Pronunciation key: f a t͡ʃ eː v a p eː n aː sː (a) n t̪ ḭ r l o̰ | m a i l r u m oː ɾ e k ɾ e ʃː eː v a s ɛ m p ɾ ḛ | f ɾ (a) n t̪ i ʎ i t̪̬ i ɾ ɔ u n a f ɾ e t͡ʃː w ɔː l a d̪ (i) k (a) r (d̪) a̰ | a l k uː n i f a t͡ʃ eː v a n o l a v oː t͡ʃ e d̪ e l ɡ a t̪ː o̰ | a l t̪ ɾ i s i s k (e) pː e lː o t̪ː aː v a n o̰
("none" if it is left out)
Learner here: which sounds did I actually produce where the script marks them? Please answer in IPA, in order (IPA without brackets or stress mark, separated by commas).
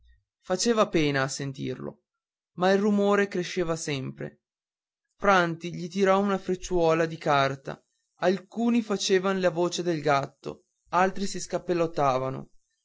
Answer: e, a, i, a, t̪, a